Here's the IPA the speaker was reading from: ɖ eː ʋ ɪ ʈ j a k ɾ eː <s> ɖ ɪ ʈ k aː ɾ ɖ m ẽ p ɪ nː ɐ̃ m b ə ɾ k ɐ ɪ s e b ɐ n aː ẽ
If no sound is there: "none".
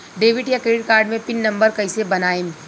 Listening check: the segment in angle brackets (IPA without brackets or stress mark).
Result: none